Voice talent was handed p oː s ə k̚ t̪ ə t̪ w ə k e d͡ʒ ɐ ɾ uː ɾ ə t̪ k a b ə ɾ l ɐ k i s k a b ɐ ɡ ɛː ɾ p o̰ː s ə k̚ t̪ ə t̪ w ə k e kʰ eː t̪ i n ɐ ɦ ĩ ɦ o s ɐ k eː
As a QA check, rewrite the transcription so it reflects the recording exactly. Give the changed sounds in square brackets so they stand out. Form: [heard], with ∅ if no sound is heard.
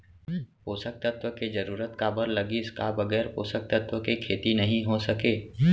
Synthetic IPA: p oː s ə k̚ t̪ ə t̪ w ə k e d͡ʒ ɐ ɾ uː ɾ ə t̪ k a b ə ɾ l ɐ [ɡ] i s k a b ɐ ɡ ɛː ɾ p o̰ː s ə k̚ t̪ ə t̪ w ə k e kʰ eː t̪ i n ɐ ɦ ĩ ɦ o s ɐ k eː